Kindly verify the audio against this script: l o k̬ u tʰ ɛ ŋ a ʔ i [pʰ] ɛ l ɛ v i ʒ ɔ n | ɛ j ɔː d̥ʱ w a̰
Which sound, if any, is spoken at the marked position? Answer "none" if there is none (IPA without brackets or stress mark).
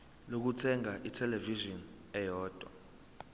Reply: tʰ